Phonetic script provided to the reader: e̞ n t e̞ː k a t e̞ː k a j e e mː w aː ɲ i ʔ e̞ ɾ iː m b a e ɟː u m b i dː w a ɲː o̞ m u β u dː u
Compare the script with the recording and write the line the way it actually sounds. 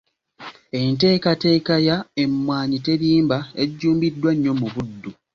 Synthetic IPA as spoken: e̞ n t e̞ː k a t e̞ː k a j a e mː w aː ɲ i t e̞ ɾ iː m b a e ɟː uː m b i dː w a ɲː o̞ m u β u dː u